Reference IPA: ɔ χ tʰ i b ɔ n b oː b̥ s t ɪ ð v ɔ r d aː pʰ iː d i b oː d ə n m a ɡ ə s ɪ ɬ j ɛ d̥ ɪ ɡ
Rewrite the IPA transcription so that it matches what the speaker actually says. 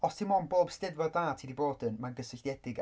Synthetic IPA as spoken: ɔ s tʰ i m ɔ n b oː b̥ s t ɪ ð v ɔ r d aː tʰ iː d i b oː d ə n m a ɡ ə s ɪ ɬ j ɛ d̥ ɪ ɡ